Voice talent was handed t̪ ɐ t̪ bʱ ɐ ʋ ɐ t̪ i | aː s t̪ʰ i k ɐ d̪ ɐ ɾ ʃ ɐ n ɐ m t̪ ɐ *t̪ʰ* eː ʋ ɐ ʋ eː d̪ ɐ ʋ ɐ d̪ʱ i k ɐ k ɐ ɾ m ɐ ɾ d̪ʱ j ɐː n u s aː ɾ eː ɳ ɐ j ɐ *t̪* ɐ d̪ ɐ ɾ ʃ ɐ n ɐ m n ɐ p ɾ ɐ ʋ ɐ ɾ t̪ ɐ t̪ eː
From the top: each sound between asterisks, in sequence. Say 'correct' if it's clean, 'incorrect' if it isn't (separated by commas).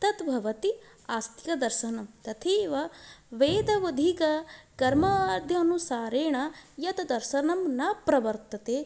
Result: correct, correct